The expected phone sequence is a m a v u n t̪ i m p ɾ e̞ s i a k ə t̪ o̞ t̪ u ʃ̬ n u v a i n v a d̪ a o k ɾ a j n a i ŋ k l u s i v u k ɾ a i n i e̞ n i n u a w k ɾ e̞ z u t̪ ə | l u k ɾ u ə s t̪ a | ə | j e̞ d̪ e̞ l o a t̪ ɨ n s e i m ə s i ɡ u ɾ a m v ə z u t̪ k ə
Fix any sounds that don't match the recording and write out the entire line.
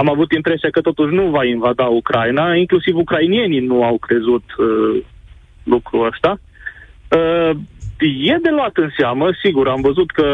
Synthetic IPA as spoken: a m a v u t̪ i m p ɾ e̞ s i a k ə t̪ o̞ t̪ u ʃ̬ n u v a i n v a d̪ a u k ɾ a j n a i ŋ k l u s i v u k ɾ a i n i e̞ n i n u a w k ɾ e̞ z u t̪ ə | l u k ɾ u ə s t̪ a | ə | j e̞ d̪ e̞ l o a t̪ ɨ n s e a m ə s i ɡ u ɾ a m v ə z u t̪ k ə